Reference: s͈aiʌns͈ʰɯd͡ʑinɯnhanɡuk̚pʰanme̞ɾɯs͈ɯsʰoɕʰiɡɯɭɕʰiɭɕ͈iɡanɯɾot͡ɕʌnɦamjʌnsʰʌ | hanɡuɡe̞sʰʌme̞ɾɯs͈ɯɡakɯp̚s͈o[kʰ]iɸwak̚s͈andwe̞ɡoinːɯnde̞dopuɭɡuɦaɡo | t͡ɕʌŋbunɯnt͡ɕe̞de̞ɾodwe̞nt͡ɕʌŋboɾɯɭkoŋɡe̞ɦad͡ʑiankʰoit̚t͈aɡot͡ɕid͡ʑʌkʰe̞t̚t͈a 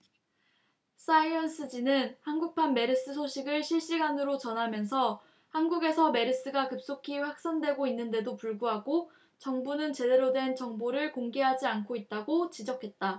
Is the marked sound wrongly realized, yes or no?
no